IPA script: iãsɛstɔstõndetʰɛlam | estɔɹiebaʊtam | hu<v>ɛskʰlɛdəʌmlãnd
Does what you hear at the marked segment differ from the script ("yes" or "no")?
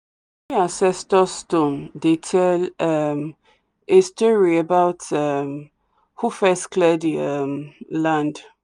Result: yes